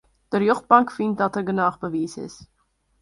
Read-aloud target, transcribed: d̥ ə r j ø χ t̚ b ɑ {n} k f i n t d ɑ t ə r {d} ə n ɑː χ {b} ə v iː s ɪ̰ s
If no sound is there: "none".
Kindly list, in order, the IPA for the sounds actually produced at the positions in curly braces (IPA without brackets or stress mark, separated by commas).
ŋ, ɡ, b